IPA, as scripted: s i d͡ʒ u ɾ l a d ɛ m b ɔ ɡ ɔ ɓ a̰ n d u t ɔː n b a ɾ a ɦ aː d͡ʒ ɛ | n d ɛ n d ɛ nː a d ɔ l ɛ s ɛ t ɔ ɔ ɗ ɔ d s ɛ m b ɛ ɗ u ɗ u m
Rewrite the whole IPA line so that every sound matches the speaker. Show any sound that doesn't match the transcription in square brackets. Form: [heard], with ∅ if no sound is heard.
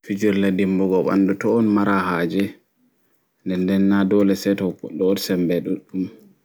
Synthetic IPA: [f] i d͡ʒ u ɾ l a d [i] m b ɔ ɡ ɔ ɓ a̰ n d u t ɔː n [m] a ɾ a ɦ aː d͡ʒ ɛ | n d ɛ n d ɛ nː a d ɔ l ɛ s ɛ t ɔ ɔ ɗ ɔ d s ɛ m b ɛ ɗ u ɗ u m